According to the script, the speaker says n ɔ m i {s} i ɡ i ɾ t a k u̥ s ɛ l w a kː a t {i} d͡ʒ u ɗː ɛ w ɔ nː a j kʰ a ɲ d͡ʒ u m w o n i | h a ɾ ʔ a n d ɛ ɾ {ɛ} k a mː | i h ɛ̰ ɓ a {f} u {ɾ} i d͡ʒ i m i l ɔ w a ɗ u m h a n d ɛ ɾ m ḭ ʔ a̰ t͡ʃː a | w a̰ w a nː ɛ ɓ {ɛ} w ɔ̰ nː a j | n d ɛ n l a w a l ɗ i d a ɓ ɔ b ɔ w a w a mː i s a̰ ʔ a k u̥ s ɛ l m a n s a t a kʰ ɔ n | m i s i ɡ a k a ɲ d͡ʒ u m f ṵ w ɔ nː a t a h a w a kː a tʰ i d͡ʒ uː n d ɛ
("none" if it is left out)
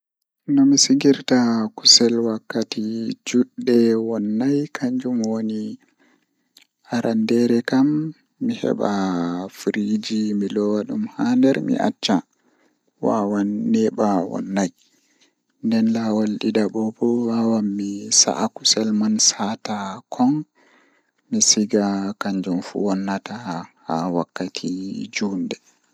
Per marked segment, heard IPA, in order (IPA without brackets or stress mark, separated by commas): s, i, ɛ, f, ɾ, a